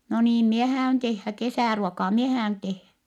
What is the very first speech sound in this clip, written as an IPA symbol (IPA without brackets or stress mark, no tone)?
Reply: n